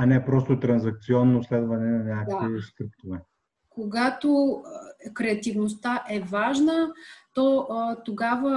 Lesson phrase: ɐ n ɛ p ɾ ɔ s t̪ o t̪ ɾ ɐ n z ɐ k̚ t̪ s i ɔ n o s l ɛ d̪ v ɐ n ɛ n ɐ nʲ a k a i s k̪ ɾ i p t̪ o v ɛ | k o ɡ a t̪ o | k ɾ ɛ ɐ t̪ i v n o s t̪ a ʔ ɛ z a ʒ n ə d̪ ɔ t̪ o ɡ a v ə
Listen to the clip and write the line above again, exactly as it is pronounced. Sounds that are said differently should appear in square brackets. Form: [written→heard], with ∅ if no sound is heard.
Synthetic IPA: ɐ n ɛ p ɾ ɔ s t̪ o t̪ ɾ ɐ n z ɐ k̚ t̪ s i ɔ [n→nː] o s l ɛ d̪ v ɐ n ɛ n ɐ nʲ a k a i s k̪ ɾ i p t̪ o v ɛ | k o ɡ a t̪ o | k ɾ ɛ ɐ t̪ i v n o s t̪ a ʔ ɛ [z→v] a ʒ n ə [d̪→t̪] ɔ t̪ o ɡ a v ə